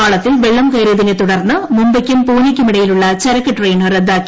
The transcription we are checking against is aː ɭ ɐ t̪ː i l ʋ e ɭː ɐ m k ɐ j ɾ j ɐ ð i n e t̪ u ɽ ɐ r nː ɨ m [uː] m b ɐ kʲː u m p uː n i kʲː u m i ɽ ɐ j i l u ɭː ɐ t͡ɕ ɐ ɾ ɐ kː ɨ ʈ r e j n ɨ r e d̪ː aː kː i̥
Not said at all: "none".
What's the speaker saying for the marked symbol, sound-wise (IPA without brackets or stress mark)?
u